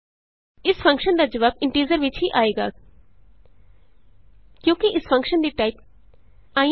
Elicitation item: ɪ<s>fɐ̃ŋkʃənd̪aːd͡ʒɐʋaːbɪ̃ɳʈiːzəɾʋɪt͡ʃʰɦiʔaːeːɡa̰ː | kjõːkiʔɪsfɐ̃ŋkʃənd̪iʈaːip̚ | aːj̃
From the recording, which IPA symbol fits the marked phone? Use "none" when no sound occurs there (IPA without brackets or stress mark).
s